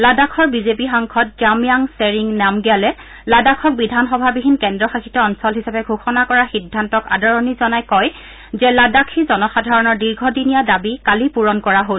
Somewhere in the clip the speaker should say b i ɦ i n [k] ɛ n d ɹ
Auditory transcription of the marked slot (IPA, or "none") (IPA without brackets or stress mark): k